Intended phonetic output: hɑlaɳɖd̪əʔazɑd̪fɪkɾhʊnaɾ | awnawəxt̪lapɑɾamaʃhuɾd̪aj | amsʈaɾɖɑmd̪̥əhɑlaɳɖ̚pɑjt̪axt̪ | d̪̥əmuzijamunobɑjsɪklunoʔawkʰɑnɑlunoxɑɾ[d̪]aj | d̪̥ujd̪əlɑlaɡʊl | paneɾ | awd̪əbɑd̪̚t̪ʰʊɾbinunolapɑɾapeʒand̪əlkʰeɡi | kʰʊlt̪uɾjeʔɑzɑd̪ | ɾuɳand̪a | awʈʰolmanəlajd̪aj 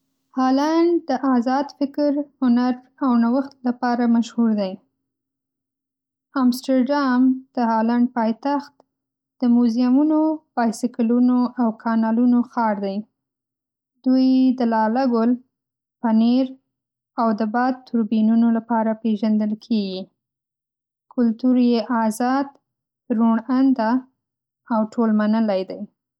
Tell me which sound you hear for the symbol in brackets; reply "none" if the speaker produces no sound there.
d̪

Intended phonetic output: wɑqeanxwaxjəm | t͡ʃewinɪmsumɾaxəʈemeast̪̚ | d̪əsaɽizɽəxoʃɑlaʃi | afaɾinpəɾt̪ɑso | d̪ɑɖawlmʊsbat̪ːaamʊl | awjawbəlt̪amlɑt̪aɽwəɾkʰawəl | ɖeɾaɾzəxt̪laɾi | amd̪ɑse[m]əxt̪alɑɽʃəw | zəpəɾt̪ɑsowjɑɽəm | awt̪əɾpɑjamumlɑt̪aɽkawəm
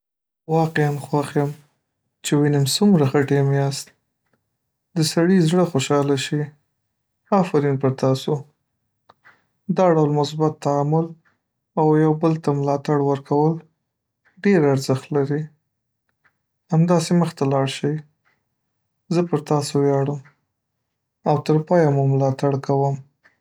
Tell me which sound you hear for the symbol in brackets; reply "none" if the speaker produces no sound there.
m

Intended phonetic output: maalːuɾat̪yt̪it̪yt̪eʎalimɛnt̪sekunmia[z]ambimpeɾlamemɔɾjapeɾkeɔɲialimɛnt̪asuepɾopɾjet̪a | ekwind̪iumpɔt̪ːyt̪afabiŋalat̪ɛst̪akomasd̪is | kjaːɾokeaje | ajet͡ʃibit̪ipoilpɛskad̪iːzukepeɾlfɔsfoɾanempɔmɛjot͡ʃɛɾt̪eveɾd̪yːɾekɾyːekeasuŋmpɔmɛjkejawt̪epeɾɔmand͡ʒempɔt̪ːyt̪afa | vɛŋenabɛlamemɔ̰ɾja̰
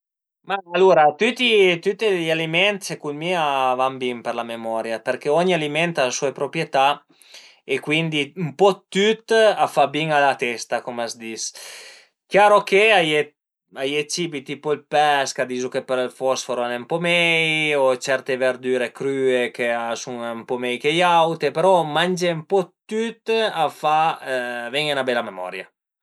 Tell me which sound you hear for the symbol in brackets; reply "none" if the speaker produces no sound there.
v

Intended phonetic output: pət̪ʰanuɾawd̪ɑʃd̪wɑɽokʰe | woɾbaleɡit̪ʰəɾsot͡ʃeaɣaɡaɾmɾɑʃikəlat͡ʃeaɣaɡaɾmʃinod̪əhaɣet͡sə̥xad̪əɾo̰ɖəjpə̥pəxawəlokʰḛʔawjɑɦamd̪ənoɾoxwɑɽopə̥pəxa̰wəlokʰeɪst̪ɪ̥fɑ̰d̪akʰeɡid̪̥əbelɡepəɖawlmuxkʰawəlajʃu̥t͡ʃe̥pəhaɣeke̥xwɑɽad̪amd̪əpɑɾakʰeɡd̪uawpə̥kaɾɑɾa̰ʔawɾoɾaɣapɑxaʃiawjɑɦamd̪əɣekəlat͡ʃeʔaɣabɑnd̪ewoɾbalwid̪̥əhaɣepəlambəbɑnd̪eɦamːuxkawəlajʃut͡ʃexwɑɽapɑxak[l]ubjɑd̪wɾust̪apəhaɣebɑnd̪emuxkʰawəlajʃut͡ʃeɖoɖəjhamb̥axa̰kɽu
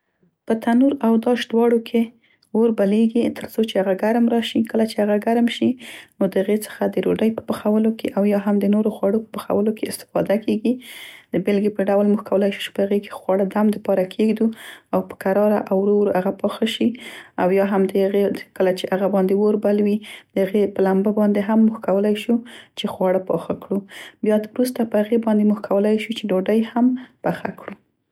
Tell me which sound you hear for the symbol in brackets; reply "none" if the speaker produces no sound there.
ɽ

